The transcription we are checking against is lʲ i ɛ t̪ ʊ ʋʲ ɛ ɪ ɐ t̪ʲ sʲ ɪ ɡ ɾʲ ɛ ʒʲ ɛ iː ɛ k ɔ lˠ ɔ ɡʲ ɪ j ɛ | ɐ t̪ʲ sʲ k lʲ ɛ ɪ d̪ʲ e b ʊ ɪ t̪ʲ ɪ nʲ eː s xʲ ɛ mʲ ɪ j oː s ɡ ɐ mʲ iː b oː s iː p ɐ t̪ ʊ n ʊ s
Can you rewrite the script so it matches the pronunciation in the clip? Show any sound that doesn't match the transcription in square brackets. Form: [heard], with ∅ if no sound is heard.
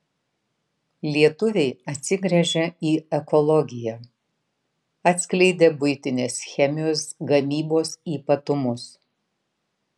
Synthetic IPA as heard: lʲ i ɛ t̪ ʊ ʋʲ ɛ ɪ ɐ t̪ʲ sʲ ɪ ɡ ɾʲ ɛ ʒʲ ɛ iː ɛ k ɔ lˠ ɔ ɡʲ ɪ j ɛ | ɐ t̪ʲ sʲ k lʲ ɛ ɪ d̪ʲ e b ʊ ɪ t̪ʲ ɪ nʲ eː s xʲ ɛ mʲ ɪ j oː s ɡ ɐ mʲ iː b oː s iː p ɐ t̪ ʊ [m] ʊ s

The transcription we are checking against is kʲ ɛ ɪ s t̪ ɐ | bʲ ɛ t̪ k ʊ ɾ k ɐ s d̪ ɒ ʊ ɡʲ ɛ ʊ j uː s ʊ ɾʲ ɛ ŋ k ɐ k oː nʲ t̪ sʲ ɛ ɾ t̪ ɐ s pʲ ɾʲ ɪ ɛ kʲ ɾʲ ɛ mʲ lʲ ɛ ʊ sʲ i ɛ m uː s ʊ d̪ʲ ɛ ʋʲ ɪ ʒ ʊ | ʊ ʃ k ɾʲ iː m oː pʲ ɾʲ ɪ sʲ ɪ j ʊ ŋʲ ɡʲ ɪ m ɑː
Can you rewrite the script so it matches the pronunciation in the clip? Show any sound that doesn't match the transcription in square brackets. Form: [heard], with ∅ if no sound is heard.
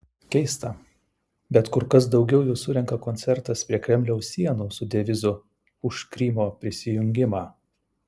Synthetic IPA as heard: kʲ ɛ ɪ s t̪ ɐ | bʲ ɛ t̪ k ʊ ɾ k ɐ s d̪ ɒ ʊ ɡʲ ɛ ʊ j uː s ʊ ɾʲ ɛ ŋ k ɐ k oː nʲ t̪ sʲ ɛ ɾ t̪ ɐ s pʲ ɾʲ [i] ɛ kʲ ɾʲ ɛ mʲ lʲ ɛ ʊ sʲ i ɛ [n] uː s ʊ d̪ʲ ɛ ʋʲ ɪ [z] ʊ | ʊ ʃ k ɾʲ iː m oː pʲ ɾʲ ɪ sʲ ɪ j ʊ ŋʲ ɡʲ ɪ m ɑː

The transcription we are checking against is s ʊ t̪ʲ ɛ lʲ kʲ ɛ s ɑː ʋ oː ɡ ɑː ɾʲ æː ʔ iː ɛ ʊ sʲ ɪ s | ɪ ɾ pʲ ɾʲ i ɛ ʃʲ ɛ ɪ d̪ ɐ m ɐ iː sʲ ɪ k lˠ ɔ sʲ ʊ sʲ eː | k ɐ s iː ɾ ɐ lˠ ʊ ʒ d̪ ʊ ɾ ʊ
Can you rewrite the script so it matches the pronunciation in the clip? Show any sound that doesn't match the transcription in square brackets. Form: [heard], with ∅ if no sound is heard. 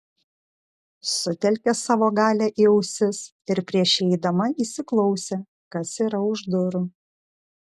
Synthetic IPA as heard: s ʊ t̪ʲ ɛ lʲ kʲ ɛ s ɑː ʋ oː ɡ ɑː [lʲ] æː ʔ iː ɛ ʊ sʲ ɪ s | ɪ ɾ pʲ ɾʲ i ɛ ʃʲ ɛ ɪ d̪ ɐ m ɐ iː sʲ ɪ k lˠ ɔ [∅] ʊ sʲ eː | k ɐ s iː ɾ ɐ [∅] ʊ ʒ d̪ ʊ ɾ ʊ

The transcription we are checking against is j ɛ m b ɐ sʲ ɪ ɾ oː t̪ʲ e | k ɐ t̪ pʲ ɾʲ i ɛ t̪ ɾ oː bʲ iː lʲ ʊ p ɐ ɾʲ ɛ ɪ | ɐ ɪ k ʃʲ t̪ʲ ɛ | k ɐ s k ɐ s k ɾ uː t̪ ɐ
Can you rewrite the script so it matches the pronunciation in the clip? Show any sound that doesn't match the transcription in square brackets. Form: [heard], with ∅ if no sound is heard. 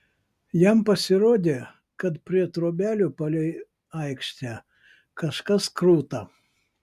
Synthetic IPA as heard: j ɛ m [p] ɐ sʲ ɪ ɾ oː [d̪ʲ] e | k ɐ t̪ pʲ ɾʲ i ɛ t̪ ɾ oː bʲ [æː] lʲ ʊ p ɐ [lʲ] ɛ ɪ | ɐ ɪ k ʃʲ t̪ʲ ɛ | k ɐ [ʃ] k ɐ s k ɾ uː t̪ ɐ

